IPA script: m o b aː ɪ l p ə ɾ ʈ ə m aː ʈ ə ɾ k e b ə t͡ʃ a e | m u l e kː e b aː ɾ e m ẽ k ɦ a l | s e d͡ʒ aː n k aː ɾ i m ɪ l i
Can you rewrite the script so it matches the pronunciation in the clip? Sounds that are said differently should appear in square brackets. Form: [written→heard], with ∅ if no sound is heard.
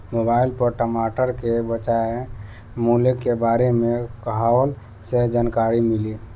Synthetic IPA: m o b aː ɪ l p ə ɾ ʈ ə m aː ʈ ə ɾ k e b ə t͡ʃ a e | m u l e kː e b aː ɾ e m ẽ k ɦ a l | s e d͡ʒ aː n k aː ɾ i m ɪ l i